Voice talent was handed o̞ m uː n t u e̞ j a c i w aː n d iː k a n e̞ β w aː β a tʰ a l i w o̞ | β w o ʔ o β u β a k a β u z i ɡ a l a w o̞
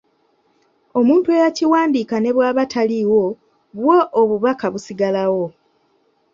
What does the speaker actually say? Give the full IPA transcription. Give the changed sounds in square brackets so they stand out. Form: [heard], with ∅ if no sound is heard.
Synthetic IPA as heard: o̞ m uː n t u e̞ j a c i w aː n d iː k a n e̞ β w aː β a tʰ a l i w o̞ | β w o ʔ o β u β a k a β u [s] i ɡ a l a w o̞